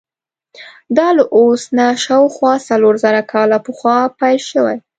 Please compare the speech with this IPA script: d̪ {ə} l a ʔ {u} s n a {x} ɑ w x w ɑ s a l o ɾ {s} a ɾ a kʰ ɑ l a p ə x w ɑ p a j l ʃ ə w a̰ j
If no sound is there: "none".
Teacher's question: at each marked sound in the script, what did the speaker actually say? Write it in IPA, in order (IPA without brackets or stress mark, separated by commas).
ɑ, o, ʃ, z